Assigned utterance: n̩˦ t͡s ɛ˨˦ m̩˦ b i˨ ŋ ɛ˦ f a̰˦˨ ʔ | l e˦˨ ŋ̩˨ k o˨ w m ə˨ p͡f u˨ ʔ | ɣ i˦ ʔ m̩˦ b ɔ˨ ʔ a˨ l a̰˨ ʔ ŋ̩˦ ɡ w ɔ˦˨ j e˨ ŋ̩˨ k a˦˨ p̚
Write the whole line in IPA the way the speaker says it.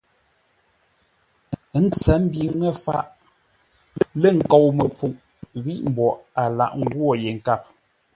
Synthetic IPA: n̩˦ t͡s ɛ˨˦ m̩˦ b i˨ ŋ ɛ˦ f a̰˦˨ ʔ | l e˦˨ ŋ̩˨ k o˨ w m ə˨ p͡f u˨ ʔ | ɣ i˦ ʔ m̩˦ b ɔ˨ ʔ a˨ l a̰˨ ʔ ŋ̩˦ ɡ w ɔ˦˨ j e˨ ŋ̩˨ k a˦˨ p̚